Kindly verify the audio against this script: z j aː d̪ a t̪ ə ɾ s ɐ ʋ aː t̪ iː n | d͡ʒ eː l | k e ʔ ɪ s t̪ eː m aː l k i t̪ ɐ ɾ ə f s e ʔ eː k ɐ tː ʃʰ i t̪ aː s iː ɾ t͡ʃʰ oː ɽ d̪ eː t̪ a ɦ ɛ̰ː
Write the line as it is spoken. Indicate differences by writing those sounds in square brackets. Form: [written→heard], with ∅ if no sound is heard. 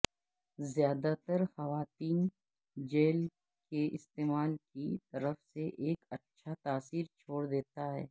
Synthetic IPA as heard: z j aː d̪ a t̪ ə ɾ [s→x] ɐ ʋ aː t̪ iː n | d͡ʒ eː l | k e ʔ ɪ s t̪ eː m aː l k i t̪ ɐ ɾ ə f s e ʔ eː k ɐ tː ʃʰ [i→a] t̪ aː s iː ɾ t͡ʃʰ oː ɽ d̪ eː t̪ a ɦ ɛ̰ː